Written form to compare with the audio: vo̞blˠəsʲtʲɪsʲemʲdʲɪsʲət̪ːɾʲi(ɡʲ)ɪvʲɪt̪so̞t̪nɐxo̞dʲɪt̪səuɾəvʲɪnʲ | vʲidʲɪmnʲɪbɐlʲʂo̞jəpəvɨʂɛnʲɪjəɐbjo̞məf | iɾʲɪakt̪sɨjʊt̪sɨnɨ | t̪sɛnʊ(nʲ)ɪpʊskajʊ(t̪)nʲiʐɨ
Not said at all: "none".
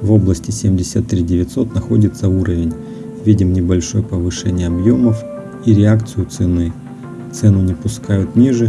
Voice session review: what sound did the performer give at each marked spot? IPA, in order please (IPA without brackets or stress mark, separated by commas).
dʲ, nʲ, t̪